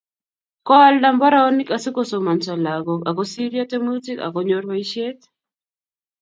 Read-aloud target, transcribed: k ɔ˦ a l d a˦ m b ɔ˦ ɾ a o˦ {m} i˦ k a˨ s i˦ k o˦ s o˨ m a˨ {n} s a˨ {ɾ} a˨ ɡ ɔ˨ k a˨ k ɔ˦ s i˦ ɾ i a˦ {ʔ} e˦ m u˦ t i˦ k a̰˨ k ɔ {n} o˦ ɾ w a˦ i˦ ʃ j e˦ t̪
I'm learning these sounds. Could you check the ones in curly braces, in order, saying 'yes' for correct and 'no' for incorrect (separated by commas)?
no, yes, no, no, no